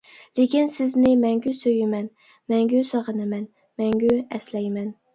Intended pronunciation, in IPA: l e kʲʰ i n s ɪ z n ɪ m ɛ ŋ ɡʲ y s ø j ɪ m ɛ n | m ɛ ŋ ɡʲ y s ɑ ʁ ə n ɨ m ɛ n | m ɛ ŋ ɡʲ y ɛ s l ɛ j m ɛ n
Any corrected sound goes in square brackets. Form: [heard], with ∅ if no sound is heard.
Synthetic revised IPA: l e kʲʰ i n s ɪ z n ɪ m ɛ ŋ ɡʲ y s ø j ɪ m ɛ n | m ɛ ŋ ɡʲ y s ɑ ʁ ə n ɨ m ɛ n | m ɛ ŋ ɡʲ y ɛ s l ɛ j m ɛ n